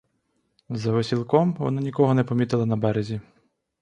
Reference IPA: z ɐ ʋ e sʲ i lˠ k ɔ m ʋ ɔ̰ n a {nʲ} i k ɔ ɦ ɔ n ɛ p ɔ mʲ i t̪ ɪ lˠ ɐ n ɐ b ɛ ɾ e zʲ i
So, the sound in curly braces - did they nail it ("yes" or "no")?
yes